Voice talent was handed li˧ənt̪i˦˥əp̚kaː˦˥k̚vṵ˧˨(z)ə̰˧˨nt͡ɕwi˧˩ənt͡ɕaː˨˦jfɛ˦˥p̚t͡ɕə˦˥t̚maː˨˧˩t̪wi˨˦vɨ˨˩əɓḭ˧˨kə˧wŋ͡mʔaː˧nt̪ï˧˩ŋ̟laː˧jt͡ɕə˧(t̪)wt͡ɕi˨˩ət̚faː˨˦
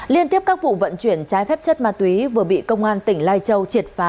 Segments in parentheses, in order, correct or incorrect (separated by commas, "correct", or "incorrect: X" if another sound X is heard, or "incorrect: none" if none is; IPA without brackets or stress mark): incorrect: v, incorrect: none